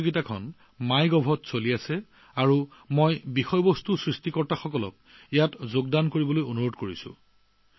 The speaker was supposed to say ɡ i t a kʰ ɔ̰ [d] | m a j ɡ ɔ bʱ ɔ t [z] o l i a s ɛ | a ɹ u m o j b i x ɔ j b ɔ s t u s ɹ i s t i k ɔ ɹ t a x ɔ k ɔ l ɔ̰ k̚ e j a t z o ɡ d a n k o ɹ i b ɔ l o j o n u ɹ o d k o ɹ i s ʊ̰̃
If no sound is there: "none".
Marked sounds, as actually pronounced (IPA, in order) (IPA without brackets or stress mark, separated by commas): n, s